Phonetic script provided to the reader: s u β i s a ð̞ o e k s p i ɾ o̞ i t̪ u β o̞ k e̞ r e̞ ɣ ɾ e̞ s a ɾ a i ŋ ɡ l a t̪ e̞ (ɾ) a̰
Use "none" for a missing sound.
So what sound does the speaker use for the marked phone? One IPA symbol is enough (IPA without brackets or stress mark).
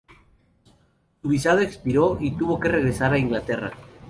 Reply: r